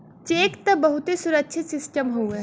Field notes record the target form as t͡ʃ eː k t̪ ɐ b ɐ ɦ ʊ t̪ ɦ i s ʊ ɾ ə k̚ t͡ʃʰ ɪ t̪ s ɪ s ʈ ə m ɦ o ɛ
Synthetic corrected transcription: t͡ʃ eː k t̪ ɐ b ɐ ɦ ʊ t̪ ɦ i s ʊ ɾ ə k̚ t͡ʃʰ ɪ t̪ s ɪ s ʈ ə m ɦ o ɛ